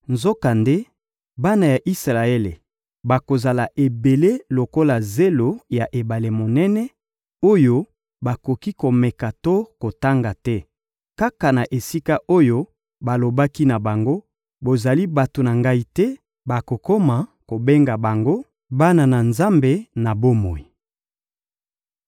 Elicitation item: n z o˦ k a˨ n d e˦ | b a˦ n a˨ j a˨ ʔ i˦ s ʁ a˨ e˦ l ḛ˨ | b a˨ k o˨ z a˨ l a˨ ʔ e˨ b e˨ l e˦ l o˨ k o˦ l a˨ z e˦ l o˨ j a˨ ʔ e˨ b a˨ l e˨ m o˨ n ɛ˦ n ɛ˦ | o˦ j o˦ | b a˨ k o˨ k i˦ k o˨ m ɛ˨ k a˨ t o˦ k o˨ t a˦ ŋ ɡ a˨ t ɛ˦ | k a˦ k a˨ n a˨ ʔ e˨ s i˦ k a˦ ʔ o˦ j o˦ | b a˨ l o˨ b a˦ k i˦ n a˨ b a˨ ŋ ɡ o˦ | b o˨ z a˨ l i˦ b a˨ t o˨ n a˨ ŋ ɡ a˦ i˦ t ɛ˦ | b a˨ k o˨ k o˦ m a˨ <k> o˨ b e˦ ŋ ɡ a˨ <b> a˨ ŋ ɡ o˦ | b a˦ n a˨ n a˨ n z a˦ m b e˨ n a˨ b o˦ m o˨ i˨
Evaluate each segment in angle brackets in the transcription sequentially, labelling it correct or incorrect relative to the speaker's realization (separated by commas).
correct, correct